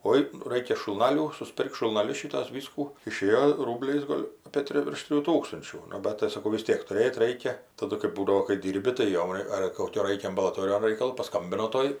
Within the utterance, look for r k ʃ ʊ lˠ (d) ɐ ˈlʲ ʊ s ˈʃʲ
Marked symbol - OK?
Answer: no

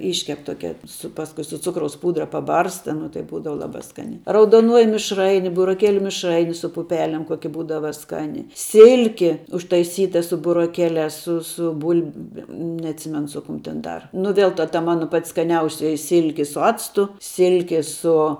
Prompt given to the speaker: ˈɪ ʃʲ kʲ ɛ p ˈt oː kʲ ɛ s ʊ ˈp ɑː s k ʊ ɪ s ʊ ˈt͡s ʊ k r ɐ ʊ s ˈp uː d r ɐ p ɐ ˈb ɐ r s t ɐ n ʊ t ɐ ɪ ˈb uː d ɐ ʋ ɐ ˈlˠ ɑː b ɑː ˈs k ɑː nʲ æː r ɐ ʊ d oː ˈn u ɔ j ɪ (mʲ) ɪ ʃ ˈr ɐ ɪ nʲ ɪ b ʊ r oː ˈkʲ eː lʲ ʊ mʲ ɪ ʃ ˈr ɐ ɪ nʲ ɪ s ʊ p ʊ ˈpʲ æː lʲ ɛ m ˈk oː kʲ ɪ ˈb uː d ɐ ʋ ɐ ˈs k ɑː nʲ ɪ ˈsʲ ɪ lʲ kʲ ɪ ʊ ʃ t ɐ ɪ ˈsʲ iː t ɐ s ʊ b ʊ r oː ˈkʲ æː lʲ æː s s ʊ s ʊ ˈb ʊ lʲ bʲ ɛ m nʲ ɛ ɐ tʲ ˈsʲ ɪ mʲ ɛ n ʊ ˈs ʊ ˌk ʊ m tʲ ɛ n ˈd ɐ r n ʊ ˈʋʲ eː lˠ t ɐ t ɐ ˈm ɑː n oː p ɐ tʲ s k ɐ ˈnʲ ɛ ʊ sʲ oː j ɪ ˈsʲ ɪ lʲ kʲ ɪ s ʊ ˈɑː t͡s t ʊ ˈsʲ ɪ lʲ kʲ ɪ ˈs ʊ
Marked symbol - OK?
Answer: yes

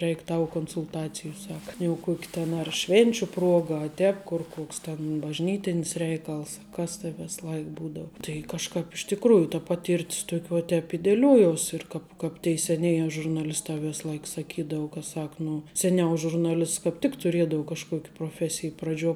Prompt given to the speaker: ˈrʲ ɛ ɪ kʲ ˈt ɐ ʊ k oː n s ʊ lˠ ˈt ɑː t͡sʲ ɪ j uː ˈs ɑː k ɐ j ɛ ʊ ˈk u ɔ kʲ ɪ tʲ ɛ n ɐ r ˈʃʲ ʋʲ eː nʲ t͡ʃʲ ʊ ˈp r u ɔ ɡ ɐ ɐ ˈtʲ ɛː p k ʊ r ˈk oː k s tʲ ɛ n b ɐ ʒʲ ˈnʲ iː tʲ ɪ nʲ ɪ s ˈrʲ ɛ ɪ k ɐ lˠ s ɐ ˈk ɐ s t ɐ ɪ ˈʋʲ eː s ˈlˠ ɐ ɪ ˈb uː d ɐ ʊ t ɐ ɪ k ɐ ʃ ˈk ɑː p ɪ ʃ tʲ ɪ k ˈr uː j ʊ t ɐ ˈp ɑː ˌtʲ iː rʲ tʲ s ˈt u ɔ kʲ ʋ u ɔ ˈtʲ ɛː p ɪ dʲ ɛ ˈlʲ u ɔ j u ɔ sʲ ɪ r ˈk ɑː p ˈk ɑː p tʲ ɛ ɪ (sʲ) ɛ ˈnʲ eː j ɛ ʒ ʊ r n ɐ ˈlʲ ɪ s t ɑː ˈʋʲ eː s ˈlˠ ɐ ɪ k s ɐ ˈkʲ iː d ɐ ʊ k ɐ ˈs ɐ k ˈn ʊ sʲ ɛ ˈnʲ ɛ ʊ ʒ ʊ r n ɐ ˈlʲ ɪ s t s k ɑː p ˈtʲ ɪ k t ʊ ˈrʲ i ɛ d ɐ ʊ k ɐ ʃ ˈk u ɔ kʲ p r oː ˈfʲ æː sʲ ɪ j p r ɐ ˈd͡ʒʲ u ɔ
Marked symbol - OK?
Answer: yes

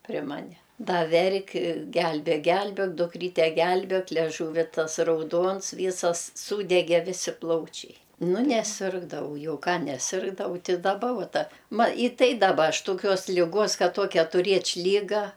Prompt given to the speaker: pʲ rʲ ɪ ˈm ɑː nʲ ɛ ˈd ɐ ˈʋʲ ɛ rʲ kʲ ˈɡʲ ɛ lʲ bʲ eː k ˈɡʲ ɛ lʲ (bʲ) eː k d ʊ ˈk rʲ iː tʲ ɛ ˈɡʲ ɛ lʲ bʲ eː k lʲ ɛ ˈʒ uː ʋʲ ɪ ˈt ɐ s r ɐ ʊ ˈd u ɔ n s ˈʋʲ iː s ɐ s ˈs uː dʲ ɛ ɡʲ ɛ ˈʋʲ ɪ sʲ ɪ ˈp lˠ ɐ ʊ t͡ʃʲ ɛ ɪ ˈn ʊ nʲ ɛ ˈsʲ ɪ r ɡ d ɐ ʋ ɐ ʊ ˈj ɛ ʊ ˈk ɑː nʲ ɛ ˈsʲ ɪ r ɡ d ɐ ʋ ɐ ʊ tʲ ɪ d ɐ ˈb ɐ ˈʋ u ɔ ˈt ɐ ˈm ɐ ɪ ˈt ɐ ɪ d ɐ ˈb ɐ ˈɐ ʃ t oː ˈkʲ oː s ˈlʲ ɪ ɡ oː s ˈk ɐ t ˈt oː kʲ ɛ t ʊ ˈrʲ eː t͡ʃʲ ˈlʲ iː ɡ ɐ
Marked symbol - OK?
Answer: yes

